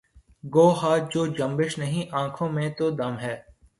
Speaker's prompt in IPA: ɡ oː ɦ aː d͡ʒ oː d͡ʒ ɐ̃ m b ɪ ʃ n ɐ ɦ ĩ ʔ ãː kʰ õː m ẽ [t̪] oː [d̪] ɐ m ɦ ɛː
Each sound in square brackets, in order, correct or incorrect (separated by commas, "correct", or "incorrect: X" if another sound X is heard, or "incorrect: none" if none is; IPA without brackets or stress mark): correct, correct